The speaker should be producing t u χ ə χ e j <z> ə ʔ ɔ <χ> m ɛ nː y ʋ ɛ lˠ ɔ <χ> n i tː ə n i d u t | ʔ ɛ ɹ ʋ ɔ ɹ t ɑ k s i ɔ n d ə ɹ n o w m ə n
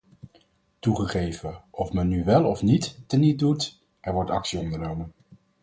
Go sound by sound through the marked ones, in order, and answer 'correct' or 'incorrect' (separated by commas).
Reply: incorrect, incorrect, incorrect